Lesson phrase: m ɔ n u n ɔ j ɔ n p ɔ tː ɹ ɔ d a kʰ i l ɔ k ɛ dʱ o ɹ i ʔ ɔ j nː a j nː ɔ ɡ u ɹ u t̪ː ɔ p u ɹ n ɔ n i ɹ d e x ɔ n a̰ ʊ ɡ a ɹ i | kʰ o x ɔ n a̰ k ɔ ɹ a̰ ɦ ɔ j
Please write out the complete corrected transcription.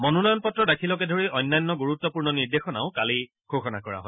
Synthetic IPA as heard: m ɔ n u n ɔ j ɔ n p ɔ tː ɹ ɔ d a kʰ i l ɔ k ɛ dʱ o ɹ i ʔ ɔ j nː a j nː ɔ ɡ u ɹ u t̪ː ɔ p u ɹ n ɔ n i ɹ d e x ɔ n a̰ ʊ k a l i | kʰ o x ɔ n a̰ k ɔ ɹ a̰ ɦ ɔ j